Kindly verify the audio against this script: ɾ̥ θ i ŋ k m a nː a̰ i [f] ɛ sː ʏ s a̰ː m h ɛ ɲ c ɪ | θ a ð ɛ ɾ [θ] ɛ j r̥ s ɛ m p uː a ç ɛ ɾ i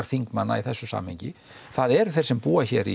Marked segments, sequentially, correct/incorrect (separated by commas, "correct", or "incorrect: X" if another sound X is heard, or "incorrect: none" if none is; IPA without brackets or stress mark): incorrect: θ, correct